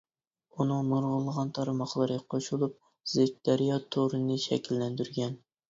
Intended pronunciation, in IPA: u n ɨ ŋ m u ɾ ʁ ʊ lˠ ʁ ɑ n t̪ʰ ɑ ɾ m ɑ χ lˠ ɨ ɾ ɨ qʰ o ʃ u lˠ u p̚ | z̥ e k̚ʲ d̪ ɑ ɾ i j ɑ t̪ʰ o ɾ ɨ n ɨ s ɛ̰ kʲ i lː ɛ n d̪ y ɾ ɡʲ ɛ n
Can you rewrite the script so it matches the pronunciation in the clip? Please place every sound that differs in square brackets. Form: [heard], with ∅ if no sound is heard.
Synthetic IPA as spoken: u n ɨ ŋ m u ɾ ʁ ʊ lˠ ʁ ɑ n t̪ʰ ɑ ɾ m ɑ χ lˠ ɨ ɾ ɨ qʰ o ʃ u lˠ u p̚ | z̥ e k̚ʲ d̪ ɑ ɾ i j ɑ t̪ʰ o ɾ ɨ n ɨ [ʃ] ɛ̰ kʲ i lː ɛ n d̪ y ɾ ɡʲ ɛ n